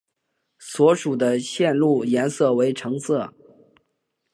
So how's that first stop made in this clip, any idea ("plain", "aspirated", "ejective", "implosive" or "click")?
plain